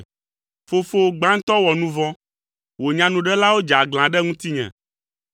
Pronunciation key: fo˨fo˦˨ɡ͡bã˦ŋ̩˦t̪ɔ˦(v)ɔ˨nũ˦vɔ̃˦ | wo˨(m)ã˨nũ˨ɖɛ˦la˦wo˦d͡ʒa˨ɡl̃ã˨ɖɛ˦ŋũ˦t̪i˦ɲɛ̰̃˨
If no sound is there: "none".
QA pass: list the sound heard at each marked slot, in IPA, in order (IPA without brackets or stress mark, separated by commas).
w, ɲ